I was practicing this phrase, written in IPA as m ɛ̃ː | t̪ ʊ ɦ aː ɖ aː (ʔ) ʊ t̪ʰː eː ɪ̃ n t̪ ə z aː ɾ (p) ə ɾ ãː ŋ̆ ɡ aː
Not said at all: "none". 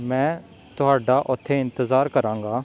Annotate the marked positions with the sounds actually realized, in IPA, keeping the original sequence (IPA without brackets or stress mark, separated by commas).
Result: ʔ, k